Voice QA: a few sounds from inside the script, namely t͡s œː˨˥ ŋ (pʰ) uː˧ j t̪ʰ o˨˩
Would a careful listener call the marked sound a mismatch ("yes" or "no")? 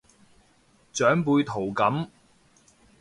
yes